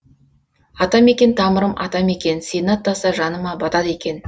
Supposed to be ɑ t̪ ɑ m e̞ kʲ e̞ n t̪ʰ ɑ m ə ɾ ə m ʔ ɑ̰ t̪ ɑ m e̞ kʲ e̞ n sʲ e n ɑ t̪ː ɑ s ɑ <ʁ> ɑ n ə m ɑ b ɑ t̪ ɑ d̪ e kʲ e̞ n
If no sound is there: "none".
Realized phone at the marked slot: ʒ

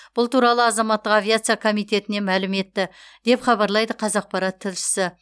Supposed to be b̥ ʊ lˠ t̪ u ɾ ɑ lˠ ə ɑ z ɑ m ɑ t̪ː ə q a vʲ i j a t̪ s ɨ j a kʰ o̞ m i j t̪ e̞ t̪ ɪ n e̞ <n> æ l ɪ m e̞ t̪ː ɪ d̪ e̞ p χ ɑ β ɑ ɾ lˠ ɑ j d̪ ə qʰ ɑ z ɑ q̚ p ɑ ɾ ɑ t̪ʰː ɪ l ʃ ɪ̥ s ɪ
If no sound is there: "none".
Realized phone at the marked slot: m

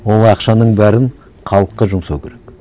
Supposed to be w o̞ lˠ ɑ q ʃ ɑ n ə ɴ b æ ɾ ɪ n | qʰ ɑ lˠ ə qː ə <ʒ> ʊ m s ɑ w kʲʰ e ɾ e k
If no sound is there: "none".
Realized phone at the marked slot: ʒ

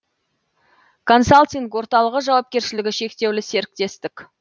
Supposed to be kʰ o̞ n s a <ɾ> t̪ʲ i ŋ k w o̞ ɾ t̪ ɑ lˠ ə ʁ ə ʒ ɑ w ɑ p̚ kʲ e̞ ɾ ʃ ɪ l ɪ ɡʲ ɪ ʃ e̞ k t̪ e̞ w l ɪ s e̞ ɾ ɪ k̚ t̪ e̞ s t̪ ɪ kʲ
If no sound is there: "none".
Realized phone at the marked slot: l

